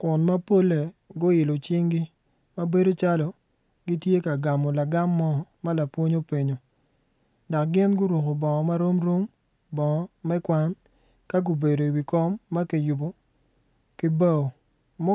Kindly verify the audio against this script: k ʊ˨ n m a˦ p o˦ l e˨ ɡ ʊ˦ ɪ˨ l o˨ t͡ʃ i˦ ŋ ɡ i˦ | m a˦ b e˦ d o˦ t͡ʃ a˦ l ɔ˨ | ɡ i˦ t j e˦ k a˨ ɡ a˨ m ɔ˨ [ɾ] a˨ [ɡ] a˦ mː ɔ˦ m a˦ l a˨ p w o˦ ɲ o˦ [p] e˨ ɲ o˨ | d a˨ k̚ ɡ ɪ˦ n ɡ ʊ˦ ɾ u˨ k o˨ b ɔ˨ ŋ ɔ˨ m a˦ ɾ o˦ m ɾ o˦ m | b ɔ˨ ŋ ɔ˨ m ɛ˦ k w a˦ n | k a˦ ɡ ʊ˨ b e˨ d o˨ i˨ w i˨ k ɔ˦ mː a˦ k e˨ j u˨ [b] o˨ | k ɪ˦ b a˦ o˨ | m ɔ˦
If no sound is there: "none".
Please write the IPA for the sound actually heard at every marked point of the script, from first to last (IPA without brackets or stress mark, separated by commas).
l, ɡ, p, b